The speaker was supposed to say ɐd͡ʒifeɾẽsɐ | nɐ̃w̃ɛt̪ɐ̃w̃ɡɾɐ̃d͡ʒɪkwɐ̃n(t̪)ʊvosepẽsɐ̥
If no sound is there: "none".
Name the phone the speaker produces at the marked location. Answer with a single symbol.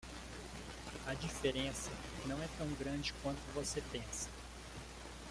t̪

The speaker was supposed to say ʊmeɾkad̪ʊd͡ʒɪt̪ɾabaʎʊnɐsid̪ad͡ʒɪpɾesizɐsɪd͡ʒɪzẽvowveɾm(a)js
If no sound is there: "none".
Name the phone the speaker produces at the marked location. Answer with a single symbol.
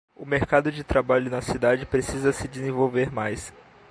a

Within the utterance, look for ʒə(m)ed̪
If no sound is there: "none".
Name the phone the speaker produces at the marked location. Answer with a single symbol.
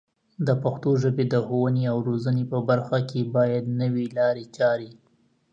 b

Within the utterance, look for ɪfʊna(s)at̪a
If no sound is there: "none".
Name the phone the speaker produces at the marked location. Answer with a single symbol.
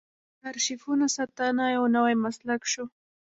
s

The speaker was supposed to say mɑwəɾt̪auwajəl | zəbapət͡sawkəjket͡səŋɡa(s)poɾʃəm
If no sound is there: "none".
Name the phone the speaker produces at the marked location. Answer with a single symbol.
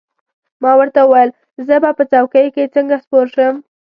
s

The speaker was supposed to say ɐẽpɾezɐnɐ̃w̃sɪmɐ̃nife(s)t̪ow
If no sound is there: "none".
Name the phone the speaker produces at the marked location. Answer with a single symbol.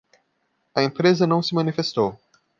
s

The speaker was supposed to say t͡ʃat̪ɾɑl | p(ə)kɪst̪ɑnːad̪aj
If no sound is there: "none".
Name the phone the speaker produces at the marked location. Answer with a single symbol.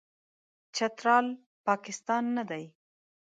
ɑ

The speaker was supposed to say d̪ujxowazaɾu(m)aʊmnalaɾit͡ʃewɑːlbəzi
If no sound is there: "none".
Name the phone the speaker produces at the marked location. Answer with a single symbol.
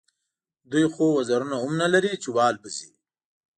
n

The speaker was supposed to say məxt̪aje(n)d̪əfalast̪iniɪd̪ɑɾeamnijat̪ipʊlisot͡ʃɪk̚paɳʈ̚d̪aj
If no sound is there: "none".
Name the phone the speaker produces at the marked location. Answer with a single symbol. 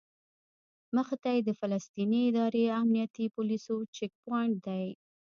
none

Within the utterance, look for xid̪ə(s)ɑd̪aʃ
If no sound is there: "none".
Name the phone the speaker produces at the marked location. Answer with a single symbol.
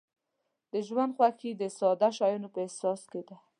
s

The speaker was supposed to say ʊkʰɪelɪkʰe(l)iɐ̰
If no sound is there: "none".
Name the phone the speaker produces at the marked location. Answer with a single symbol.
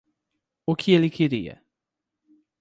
ɾ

